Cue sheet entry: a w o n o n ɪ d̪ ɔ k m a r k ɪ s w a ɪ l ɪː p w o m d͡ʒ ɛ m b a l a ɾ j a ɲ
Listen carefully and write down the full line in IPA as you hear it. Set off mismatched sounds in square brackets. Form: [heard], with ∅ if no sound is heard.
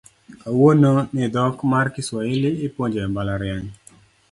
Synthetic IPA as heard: a w o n o n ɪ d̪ ɔ k m a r k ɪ s w a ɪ l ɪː p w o [ɲ] d͡ʒ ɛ m b a l a ɾ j a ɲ